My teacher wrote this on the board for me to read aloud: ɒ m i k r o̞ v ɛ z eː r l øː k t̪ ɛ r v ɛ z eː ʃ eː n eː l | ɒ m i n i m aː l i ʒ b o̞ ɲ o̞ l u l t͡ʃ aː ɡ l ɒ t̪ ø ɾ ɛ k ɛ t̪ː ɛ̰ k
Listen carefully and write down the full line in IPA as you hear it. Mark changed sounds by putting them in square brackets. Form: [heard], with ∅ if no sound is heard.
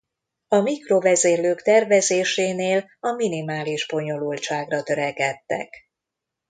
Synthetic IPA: ɒ m i k r o̞ v ɛ z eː r l øː k t̪ ɛ r v ɛ z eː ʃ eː n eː l | ɒ m i n i m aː l i ʒ b o̞ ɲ o̞ l u l t͡ʃ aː ɡ [r] ɒ t̪ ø ɾ ɛ k ɛ t̪ː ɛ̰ k